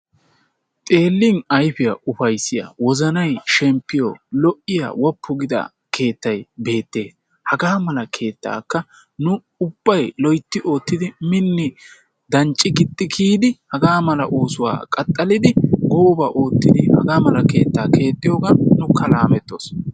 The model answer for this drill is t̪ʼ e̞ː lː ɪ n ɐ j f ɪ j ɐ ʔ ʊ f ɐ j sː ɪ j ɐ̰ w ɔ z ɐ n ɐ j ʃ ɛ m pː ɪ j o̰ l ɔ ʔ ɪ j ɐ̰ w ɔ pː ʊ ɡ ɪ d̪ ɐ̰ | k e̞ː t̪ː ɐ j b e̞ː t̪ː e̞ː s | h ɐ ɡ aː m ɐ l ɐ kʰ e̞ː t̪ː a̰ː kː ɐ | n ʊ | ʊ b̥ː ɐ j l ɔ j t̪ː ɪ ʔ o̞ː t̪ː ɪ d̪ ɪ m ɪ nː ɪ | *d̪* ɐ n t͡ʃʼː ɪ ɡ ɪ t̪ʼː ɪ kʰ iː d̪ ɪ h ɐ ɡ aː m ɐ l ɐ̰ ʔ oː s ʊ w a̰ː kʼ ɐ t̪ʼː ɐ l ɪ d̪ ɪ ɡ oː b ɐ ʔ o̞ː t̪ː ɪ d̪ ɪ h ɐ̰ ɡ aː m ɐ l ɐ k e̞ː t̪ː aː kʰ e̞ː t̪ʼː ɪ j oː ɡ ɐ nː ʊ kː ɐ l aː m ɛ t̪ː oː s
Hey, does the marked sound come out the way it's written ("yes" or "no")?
yes